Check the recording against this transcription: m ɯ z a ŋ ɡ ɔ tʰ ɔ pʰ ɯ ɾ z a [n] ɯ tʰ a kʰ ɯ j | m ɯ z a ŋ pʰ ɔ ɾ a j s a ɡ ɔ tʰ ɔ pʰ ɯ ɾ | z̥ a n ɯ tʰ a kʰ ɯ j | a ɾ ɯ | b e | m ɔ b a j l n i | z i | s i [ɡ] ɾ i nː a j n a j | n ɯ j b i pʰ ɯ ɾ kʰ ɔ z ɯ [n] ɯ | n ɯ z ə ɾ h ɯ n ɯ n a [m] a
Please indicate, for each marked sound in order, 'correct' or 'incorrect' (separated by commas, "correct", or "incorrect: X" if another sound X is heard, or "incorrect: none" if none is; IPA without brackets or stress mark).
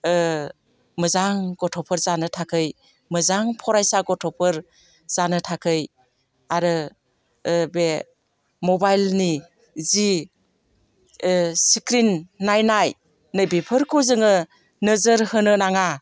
correct, incorrect: k, incorrect: ŋ, incorrect: ŋ